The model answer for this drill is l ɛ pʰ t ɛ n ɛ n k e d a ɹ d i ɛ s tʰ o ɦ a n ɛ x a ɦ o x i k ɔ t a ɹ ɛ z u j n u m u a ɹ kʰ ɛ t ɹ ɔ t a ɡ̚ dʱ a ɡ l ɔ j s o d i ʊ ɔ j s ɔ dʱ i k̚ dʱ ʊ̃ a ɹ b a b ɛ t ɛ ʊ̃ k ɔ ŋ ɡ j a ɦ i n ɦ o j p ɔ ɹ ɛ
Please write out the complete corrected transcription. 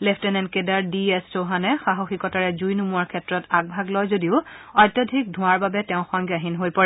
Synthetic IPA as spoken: l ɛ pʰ t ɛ n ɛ n k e d a ɹ d i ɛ s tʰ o ɦ a n ɛ x a ɦ o x i k ɔ t a ɹ ɛ z u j n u m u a ɹ kʰ ɛ t ɹ ɔ t a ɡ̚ bʱ a ɡ l ɔ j z o d i ʊ ɔ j t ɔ dʱ i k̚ dʱ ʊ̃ a ɹ b a b ɛ t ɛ ʊ̃ x ɔ ŋ ɡ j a ɦ i n ɦ o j p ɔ ɹ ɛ

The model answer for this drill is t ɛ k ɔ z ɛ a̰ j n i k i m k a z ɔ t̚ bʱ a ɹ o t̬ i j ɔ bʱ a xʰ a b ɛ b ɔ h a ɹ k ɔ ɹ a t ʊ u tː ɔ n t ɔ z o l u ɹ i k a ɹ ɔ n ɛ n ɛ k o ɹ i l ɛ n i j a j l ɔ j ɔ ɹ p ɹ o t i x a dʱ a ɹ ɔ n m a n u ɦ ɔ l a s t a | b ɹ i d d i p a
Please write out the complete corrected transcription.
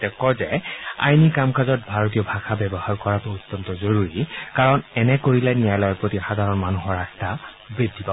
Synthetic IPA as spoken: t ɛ k ɔ z ɛ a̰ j n i k a m k a z ɔ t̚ bʱ a ɹ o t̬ i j ɔ bʱ a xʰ a b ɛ b ɔ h a ɹ k ɔ ɹ a t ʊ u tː ɔ n t ɔ z o ɹ u ɹ i k a ɹ ɔ n ɛ n ɛ k o ɹ i l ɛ n i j a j l ɔ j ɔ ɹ p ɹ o t i x a dʱ a ɹ ɔ n m a n u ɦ ɔ ɹ a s t a | b ɹ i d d i p a

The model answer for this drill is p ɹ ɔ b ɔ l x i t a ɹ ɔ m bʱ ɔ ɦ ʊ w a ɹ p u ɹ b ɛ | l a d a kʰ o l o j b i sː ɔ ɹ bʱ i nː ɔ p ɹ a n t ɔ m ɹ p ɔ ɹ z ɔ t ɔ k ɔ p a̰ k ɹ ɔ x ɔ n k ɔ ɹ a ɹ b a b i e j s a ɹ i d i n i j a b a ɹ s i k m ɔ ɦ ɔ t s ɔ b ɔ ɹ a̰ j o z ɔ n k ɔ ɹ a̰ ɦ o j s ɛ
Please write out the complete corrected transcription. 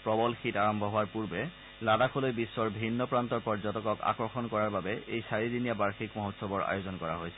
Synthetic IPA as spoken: p ɹ ɔ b ɔ l x i t a ɹ ɔ m bʱ ɔ ɦ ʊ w a ɹ p u ɹ b ɛ | l a d a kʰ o l o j b i sː ɔ ɹ bʱ i nː ɔ p ɹ a n t ɔ ɹ p ɔ ɹ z ɔ t ɔ k ɔ k a̰ k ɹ ɔ x ɔ n k ɔ ɹ a ɹ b a b ɛ e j s a ɹ i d i n i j a b a ɹ x i k m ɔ ɦ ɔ t s ɔ b ɔ ɹ a̰ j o z ɔ n k ɔ ɹ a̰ ɦ o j s ɛ

